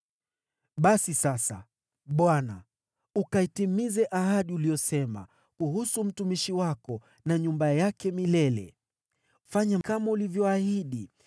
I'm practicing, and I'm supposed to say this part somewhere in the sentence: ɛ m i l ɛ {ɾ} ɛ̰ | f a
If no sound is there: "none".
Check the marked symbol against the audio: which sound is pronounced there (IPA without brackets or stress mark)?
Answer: l